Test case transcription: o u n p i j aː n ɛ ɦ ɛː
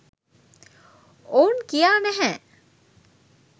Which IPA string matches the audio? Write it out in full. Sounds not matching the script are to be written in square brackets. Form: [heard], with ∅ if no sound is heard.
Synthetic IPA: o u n [k] i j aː n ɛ ɦ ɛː

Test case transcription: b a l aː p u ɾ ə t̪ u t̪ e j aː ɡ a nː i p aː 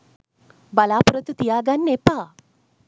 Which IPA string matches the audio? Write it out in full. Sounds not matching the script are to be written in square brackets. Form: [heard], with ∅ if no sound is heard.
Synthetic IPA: b a l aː p u ɾ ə t̪ u t̪ [i] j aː ɡ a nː [e] p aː

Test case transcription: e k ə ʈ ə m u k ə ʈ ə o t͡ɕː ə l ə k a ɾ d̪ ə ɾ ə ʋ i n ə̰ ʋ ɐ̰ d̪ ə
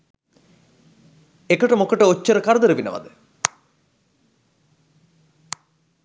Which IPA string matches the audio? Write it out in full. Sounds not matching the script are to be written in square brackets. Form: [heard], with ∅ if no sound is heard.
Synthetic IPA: e k ə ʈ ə m [o] k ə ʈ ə o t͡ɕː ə [ɾ] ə k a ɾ d̪ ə ɾ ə ʋ i n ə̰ ʋ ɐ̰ d̪ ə

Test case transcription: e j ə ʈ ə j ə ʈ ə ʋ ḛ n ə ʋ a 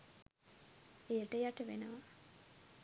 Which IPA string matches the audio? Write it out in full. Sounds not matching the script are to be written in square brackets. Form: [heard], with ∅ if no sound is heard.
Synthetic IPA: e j ə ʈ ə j [a] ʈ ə ʋ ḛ n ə ʋ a

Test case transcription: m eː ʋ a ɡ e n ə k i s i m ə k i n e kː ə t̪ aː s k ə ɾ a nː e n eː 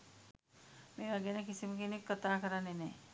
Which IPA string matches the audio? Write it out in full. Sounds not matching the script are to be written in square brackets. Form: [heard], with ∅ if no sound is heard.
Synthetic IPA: m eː ʋ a ɡ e n ə k i s i m ə k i n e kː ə t̪ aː [∅] k ə ɾ a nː e n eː

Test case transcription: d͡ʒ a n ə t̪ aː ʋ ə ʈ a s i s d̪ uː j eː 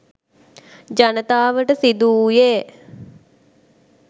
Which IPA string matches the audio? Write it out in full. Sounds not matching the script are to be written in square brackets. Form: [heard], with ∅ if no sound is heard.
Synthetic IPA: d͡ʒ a n ə t̪ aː ʋ ə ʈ [ə] s i [∅] d̪ uː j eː

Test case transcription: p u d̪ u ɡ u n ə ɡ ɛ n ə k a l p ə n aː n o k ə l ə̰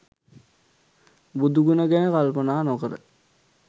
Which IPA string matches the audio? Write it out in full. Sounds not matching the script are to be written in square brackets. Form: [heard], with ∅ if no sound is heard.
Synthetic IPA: [b] u d̪ u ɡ u n ə ɡ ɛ n ə k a l p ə n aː n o k ə [ɾ] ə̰

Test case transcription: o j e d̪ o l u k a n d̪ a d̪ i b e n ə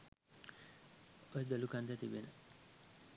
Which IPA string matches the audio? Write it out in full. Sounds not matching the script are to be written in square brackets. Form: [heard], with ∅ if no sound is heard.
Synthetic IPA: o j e d̪ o l u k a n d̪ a [t̪] i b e n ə

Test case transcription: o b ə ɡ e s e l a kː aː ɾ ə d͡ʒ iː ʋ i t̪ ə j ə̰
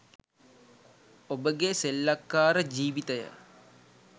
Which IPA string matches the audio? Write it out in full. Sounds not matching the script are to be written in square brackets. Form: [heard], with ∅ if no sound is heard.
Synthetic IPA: o b ə ɡ e s e [lː] a kː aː ɾ ə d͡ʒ iː ʋ i t̪ ə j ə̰

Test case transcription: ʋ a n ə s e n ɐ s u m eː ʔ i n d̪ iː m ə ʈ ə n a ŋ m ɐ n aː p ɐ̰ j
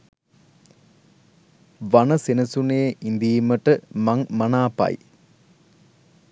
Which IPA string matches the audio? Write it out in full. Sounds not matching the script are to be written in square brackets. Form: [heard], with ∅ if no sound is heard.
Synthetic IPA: ʋ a n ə s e n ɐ s u [n] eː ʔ i n d̪ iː m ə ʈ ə [m] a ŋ m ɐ n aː p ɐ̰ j

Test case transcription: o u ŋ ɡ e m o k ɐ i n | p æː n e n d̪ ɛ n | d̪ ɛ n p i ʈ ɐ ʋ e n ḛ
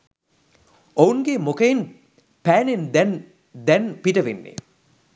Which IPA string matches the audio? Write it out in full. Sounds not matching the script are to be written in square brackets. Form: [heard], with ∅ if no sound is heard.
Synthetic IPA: o u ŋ ɡ e m o k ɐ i n | p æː n e n d̪ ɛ n | d̪ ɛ n p i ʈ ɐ ʋ e [nː] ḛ

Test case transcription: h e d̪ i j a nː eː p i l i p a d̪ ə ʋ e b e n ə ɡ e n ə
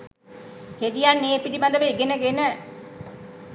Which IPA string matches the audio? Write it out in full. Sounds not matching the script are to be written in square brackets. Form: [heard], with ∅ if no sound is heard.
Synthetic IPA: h e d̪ i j a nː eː p i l i [b] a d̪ ə ʋ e [ɡ] e n ə ɡ e n ə

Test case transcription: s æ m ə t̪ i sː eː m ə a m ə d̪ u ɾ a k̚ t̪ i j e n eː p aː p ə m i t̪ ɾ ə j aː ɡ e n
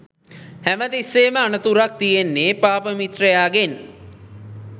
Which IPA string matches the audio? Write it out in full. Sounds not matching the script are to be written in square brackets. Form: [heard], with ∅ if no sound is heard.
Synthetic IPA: [h] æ m ə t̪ i sː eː m ə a [n] ə [t̪] u ɾ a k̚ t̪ i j e [nː] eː p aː p ə m i t̪ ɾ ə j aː ɡ e n

